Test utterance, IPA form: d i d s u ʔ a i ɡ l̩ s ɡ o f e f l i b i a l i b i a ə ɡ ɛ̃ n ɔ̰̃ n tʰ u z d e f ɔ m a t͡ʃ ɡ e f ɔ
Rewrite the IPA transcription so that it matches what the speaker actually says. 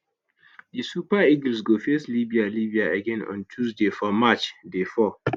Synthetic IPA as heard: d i s u p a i ɡ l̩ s ɡ o f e s l i b i a l i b i a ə ɡ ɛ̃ n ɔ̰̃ n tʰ u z d e f ɔ m a t͡ʃ d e f ɔ